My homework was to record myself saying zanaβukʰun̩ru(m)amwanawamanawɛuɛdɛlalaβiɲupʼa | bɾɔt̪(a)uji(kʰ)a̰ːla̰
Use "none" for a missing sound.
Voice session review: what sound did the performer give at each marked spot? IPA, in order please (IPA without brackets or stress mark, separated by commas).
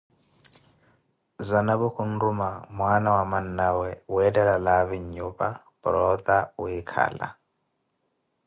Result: m, a, kʰ